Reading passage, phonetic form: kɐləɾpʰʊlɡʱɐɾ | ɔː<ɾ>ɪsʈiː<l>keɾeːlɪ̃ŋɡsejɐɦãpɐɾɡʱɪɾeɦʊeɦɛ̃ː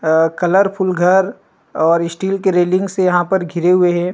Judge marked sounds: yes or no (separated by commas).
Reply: yes, yes